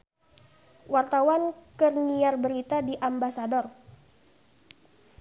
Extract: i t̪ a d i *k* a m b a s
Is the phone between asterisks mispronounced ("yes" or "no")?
yes